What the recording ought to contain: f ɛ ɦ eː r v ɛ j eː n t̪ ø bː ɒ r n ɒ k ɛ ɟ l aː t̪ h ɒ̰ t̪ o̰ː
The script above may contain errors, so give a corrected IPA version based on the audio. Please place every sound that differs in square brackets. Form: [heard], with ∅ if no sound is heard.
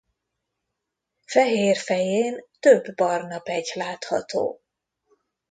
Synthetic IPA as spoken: f ɛ ɦ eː r [f] ɛ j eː n t̪ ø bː ɒ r n ɒ [p] ɛ ɟ l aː t̪ h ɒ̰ t̪ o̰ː

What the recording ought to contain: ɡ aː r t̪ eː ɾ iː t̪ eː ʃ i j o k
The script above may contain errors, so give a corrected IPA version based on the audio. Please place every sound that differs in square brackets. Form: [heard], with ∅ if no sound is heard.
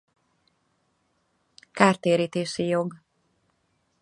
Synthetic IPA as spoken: [k] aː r t̪ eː ɾ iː t̪ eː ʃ i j o [ɡ]

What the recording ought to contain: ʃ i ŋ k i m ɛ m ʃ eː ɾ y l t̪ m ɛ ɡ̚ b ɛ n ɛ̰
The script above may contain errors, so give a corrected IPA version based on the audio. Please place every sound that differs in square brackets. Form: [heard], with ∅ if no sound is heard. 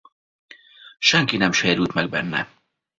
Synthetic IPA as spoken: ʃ [ɛ] ŋ k i [n] ɛ m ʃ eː ɾ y l t̪ m ɛ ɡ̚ b ɛ [nː] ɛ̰

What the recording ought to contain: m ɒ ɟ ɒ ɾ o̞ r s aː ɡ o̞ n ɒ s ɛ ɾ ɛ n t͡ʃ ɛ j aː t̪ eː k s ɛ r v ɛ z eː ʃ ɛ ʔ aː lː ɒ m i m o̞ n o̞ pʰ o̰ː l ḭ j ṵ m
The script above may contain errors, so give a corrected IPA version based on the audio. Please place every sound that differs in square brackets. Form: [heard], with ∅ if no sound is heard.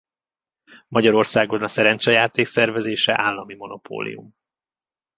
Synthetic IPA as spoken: m ɒ ɟ ɒ ɾ o̞ r s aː ɡ o̞ n ɒ s ɛ ɾ ɛ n t͡ʃ ɛ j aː t̪ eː k s ɛ r v ɛ z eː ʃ ɛ ʔ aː lː ɒ m i m o̞ n o̞ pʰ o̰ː l ḭ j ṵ m

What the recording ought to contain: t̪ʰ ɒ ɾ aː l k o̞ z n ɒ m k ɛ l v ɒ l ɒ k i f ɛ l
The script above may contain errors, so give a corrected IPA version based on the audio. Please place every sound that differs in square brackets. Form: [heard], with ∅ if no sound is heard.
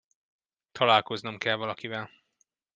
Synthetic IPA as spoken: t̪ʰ ɒ [l] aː l k o̞ z n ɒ m k ɛ l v ɒ l ɒ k i [v] ɛ l

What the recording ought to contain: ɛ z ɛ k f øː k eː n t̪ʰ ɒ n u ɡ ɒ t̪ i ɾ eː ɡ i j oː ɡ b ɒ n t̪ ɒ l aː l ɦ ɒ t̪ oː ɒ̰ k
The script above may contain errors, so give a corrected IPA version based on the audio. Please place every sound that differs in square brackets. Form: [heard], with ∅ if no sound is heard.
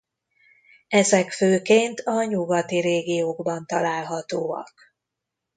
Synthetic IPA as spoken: ɛ z ɛ k f øː k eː n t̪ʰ ɒ [ɲ] u ɡ ɒ t̪ i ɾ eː ɡ i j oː ɡ b ɒ n t̪ ɒ l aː l ɦ ɒ t̪ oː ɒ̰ k

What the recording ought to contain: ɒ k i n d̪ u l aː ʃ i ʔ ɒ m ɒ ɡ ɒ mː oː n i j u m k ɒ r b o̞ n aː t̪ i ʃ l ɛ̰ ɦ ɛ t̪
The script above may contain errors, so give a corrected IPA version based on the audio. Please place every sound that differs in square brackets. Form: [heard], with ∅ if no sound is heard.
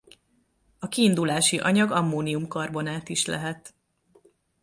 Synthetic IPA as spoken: ɒ k [iː] n d̪ u l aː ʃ i ʔ ɒ [ɲ] ɒ ɡ ɒ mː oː n i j u m k ɒ r b o̞ n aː t̪ i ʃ l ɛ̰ ɦ ɛ t̪

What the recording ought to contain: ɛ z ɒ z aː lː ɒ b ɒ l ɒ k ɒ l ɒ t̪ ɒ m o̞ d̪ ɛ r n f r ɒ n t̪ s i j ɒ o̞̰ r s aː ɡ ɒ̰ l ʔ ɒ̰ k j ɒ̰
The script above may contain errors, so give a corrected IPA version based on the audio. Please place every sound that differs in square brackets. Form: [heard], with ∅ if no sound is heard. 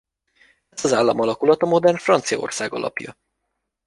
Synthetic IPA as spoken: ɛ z ɒ z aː lː ɒ [m] ɒ l ɒ k [u] l ɒ t̪ ɒ m o̞ d̪ ɛ r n f r ɒ n t̪ s i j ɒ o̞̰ r s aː ɡ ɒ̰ l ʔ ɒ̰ [p] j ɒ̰

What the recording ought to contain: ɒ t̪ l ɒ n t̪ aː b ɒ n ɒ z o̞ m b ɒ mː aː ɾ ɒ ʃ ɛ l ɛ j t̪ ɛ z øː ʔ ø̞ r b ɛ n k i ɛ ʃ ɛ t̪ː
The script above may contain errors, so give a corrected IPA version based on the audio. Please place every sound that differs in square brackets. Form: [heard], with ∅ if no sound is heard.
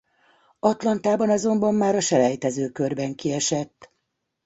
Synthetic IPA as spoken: ɒ t̪ l ɒ n t̪ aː b ɒ n ɒ z o̞ m b ɒ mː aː ɾ ɒ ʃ ɛ l ɛ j t̪ ɛ z øː [k] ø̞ r b ɛ [ŋ] k i ɛ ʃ ɛ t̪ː

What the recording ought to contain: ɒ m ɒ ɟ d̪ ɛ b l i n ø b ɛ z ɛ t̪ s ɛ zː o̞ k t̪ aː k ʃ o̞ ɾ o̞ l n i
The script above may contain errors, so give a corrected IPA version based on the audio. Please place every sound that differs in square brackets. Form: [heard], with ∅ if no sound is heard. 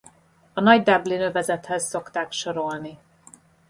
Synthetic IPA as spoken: ɒ [n] ɒ ɟ d̪ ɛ b l i n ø [v] ɛ z ɛ t̪ [h] ɛ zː o̞ k t̪ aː k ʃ o̞ ɾ o̞ l n i

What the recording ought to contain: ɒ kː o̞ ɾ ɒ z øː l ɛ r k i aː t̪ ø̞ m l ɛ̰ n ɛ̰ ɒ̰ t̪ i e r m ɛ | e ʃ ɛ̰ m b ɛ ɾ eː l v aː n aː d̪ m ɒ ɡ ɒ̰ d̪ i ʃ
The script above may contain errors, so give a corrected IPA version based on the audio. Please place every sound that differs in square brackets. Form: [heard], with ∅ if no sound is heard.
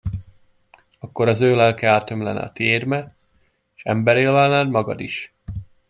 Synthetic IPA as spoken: ɒ kː o̞ ɾ ɒ z øː l ɛ [l] k [ɛ] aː t̪ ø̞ m l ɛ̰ n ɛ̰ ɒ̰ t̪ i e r m ɛ | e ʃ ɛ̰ m b ɛ ɾ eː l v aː n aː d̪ m ɒ ɡ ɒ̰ d̪ i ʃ

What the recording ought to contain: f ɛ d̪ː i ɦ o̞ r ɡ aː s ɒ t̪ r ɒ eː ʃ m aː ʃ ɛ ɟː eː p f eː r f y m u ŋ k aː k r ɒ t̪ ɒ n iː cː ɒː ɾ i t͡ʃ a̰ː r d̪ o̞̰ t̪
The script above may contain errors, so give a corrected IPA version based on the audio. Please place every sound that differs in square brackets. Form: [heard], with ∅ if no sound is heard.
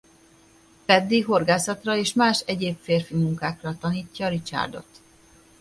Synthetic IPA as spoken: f ɛ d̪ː i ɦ o̞ r ɡ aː s ɒ t̪ r ɒ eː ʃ m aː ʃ ɛ [ɟ] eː p f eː r f [i] m u ŋ k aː k r ɒ t̪ ɒ n iː cː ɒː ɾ i t͡ʃ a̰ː r d̪ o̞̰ t̪

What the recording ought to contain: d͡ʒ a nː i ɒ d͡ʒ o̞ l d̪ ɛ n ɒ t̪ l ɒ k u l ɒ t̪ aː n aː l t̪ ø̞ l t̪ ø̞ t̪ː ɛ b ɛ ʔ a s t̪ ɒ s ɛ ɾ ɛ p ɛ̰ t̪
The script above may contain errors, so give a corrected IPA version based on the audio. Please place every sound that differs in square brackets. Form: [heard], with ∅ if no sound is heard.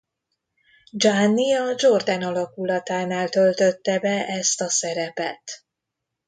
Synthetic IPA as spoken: d͡ʒ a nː i ɒ d͡ʒ o̞ [r] d̪ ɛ n ɒ [∅] l ɒ k u l ɒ t̪ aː n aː l t̪ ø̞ l t̪ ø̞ t̪ː ɛ b ɛ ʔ [ɛ] s t̪ ɒ s ɛ ɾ ɛ p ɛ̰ t̪

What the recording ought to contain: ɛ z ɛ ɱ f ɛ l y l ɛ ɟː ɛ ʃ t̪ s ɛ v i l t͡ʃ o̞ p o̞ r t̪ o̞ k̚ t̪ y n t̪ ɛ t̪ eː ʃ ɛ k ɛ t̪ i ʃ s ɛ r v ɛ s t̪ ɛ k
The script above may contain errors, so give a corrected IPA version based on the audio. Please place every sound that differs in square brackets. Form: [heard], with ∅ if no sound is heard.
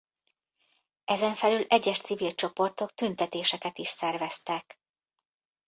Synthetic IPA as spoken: ɛ z ɛ ɱ f ɛ l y l ɛ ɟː ɛ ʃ t̪ s [i] v i l t͡ʃ o̞ p o̞ r t̪ o̞ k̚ t̪ y n t̪ ɛ t̪ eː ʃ ɛ k ɛ t̪ i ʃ s ɛ r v ɛ s t̪ ɛ k

